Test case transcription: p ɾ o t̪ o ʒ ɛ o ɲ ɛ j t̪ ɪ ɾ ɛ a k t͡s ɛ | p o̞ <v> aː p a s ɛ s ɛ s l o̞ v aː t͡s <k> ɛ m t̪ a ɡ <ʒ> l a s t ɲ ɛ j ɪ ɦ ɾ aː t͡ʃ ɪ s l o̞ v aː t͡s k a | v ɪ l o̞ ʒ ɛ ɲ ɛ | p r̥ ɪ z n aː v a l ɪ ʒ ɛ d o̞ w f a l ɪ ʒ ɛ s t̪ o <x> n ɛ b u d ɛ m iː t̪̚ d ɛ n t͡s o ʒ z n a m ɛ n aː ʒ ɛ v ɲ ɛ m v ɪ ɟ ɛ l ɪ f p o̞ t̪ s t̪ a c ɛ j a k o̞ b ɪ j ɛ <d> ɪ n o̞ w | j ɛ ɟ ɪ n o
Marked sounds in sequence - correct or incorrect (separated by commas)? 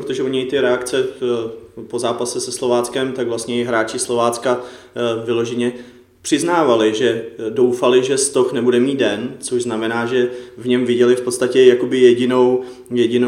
incorrect, correct, incorrect, correct, incorrect